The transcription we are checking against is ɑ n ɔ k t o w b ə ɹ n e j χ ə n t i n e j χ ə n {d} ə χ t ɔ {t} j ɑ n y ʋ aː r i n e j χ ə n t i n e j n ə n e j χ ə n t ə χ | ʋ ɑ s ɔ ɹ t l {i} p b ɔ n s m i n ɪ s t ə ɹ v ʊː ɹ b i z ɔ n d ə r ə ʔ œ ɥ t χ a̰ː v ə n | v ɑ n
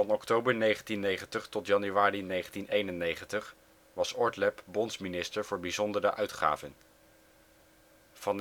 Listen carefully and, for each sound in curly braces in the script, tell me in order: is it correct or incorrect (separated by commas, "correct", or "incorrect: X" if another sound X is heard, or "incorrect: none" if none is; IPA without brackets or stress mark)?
incorrect: t, correct, incorrect: ɛ